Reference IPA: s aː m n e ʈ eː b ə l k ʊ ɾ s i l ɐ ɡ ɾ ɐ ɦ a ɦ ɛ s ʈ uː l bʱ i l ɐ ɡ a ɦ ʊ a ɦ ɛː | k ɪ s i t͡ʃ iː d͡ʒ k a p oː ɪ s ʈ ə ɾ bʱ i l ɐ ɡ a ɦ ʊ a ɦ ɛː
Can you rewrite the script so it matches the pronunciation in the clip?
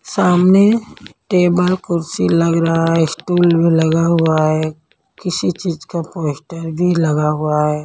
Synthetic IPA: s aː m n e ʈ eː b ə l k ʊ ɾ s i l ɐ ɡ ɾ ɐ ɦ a ɦ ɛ s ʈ uː l bʱ i l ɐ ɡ a ɦ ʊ a ɦ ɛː | k ɪ s i t͡ʃ iː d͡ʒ k a p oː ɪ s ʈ ə ɾ bʱ i l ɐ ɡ a ɦ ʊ a ɦ ɛː